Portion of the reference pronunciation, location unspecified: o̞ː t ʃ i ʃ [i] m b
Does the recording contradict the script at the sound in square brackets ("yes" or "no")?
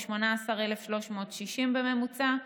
no